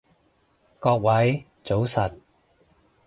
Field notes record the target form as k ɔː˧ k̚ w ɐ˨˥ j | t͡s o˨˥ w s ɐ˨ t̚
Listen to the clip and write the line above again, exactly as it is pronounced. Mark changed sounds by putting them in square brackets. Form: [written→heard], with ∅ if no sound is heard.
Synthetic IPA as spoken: k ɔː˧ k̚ w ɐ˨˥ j | t͡s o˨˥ w s ɐ˨ t̚